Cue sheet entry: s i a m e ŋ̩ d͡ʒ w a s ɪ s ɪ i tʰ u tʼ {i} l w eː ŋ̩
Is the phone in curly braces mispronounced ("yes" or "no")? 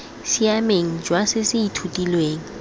no